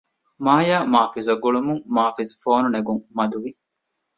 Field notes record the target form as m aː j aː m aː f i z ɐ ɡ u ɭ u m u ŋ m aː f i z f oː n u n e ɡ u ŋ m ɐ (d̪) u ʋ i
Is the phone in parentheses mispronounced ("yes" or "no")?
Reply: no